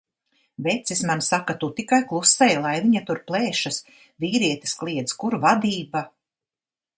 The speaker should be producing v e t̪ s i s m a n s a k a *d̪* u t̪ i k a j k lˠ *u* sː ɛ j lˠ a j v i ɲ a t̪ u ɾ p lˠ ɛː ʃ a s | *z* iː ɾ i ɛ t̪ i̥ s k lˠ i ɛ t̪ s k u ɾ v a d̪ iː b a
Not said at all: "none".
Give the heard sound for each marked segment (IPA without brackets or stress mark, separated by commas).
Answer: t̪, u, v